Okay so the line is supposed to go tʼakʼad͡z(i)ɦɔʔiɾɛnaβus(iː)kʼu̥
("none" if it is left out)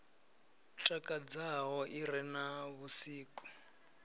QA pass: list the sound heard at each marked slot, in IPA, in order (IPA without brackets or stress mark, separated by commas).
a, iː